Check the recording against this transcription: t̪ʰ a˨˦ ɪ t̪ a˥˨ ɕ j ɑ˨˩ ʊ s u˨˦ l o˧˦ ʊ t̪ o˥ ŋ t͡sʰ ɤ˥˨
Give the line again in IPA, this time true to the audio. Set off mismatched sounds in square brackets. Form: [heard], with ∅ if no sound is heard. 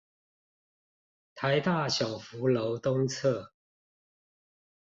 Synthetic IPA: t̪ʰ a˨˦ ɪ t̪ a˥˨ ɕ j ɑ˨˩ ʊ [f] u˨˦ l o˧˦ ʊ t̪ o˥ ŋ t͡sʰ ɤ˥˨